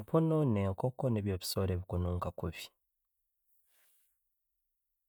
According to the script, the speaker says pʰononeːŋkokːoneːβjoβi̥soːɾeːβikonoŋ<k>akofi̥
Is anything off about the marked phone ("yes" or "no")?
no